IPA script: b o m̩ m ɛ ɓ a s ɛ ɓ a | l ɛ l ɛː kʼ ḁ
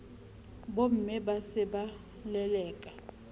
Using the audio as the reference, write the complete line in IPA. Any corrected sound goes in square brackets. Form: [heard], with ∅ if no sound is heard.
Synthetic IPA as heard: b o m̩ m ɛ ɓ a s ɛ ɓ a | l ɛ l ɛː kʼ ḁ